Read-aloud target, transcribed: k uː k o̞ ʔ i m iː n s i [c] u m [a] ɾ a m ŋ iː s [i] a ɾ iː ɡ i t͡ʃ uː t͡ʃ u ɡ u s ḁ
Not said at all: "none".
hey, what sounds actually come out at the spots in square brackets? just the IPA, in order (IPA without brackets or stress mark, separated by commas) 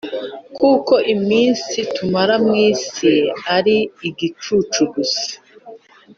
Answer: t, a, i